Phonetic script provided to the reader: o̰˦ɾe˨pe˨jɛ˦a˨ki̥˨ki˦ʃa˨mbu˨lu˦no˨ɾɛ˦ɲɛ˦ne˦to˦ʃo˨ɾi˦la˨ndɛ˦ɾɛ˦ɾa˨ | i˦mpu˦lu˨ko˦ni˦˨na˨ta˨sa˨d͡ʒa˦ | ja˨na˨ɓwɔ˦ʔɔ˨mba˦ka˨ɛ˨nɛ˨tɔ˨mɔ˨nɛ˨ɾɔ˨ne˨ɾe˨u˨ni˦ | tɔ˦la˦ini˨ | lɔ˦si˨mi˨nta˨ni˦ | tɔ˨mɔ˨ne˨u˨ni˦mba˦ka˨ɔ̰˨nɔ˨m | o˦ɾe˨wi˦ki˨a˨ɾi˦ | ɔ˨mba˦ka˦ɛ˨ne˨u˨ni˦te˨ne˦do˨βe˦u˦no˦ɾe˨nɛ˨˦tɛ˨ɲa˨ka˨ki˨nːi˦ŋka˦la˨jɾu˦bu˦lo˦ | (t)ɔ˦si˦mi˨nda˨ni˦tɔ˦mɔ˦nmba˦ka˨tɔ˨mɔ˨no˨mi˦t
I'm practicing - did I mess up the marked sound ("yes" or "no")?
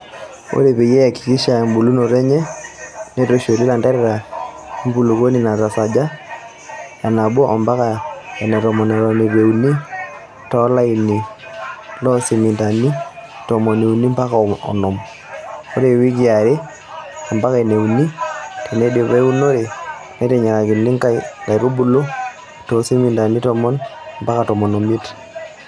no